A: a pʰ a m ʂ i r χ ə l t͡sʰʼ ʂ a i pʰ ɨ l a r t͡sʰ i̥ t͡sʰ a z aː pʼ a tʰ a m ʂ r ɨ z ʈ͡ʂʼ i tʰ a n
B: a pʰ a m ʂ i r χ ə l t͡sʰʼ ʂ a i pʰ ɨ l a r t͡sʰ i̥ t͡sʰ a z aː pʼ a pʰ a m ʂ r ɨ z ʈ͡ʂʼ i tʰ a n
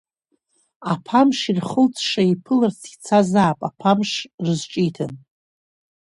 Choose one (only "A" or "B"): B